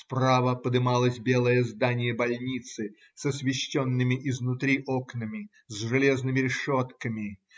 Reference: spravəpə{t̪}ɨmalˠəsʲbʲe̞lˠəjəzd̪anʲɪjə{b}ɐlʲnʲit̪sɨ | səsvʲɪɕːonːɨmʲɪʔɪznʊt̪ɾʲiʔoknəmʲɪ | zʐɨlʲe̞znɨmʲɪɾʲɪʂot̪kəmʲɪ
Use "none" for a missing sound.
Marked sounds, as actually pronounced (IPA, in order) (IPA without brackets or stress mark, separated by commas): d̪, b